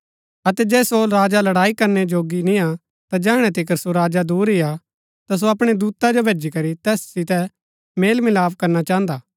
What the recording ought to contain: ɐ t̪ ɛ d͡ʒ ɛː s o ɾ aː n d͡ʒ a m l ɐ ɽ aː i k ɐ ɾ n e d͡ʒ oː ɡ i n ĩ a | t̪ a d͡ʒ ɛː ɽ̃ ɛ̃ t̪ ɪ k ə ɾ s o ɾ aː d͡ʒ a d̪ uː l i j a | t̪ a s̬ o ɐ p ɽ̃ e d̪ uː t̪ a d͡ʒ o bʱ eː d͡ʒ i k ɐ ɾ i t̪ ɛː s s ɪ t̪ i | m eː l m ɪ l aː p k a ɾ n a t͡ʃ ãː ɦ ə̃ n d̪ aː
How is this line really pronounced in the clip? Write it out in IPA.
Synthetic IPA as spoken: ɐ t̪ ɛ d͡ʒ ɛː s o ɾ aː d͡ʒ a l ɐ ɽ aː i k ɐ ɾ n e d͡ʒ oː ɡ i n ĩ a | t̪ a d͡ʒ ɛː ɽ̃ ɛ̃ t̪ ɪ k ə ɾ s o ɾ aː d͡ʒ a d̪ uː ɾ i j a | t̪ a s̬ o ɐ p ɽ̃ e d̪ uː t̪ a d͡ʒ o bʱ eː d͡ʒ i k ɐ ɾ i t̪ ɛː s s ɪ t̪ ɛ | m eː l m ɪ l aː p k ɐ ɾ n a t͡ʃ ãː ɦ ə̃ n d̪ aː